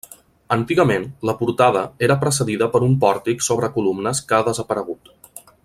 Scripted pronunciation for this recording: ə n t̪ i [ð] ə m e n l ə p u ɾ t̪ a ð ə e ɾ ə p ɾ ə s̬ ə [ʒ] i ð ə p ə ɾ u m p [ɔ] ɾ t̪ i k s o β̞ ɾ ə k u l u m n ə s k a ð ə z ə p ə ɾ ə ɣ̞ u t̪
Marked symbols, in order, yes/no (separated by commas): no, no, yes